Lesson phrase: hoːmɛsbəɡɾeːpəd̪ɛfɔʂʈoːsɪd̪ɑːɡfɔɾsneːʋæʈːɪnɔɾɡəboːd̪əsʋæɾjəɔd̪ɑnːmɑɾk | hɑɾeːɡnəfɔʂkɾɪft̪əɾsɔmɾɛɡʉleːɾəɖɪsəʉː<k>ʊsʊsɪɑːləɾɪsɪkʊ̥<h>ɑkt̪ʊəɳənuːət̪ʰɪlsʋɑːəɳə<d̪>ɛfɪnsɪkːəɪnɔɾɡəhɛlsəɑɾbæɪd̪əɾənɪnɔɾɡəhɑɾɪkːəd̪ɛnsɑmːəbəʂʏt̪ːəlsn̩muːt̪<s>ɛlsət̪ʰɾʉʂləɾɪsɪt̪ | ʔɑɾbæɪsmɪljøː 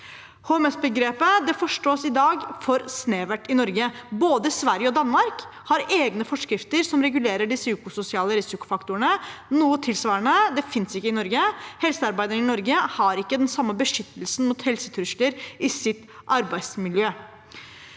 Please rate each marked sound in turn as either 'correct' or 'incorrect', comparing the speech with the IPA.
correct, incorrect, correct, incorrect

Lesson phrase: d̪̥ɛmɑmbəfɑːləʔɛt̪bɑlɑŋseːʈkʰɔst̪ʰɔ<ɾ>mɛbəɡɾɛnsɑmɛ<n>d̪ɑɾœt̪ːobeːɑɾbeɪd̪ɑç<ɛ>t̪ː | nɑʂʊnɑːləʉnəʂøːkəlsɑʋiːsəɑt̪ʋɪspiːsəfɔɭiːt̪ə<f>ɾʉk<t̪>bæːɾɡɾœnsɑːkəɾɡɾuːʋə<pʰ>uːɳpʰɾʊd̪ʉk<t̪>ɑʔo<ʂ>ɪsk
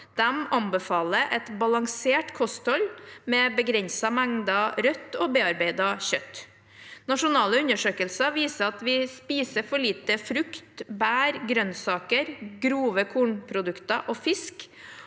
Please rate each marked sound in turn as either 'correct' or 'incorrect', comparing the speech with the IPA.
incorrect, incorrect, incorrect, correct, correct, incorrect, correct, incorrect

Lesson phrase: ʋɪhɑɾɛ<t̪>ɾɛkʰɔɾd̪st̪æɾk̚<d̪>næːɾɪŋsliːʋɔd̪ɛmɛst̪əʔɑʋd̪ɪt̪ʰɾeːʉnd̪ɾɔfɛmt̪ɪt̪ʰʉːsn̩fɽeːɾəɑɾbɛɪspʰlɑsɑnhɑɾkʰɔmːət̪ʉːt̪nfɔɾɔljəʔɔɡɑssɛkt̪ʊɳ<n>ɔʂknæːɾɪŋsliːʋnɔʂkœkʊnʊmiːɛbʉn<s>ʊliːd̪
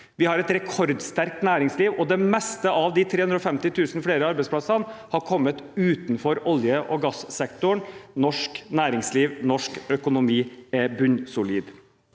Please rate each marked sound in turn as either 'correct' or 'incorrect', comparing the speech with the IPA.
correct, incorrect, correct, correct

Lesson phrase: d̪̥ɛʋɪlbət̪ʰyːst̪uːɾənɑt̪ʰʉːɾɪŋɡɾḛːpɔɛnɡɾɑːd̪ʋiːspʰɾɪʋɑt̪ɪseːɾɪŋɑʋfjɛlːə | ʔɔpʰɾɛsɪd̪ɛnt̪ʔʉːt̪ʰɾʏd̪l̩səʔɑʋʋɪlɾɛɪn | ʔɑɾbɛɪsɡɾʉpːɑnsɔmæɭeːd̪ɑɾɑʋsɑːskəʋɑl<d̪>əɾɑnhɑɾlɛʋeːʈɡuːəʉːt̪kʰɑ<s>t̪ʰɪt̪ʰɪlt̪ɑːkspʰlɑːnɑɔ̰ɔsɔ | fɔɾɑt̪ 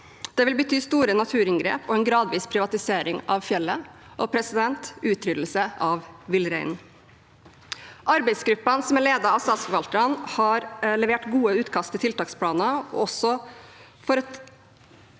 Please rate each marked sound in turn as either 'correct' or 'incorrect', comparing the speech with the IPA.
incorrect, correct

